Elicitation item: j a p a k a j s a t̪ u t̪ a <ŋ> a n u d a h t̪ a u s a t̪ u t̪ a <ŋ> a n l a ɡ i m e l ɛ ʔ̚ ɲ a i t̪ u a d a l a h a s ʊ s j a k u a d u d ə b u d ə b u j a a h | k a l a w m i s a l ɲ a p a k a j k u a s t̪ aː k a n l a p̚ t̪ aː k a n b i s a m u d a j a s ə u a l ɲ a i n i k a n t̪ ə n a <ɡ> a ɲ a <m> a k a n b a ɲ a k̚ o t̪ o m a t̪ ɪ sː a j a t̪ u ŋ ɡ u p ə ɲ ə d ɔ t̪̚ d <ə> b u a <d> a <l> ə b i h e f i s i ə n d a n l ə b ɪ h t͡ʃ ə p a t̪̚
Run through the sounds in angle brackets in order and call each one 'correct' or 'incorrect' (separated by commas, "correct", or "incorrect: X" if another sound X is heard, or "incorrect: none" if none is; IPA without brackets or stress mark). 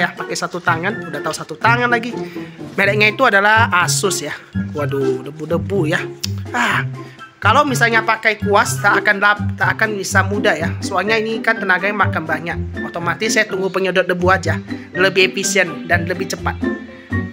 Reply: correct, correct, correct, correct, correct, incorrect: d͡ʒ, correct